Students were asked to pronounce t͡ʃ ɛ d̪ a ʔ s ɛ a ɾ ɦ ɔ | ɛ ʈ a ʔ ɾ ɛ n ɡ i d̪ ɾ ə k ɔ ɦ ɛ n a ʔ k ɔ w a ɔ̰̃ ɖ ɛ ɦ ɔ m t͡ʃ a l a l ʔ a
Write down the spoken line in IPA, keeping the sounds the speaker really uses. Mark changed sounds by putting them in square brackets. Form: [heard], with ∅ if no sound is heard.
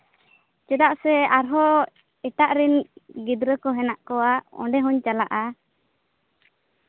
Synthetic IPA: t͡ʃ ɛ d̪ a ʔ s ɛ a ɾ ɦ ɔ | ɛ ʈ a ʔ ɾ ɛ n ɡ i d̪ ɾ ə k ɔ ɦ ɛ n a ʔ k ɔ w a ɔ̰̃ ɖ ɛ ɦ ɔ [ɲ] t͡ʃ a l a [∅] ʔ a